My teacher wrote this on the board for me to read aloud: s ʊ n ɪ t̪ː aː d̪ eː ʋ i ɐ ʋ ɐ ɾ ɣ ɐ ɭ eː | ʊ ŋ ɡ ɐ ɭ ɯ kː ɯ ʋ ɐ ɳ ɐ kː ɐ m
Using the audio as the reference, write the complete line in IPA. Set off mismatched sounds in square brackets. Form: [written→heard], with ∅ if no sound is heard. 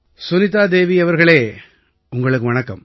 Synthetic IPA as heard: s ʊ n ɪ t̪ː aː d̪ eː ʋ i ɐ ʋ ɐ ɾ ɣ ɐ ɭ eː | ʊ ŋ ɡ ɐ ɭ ɯ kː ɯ ʋ ɐ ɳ ɐ kː ɐ m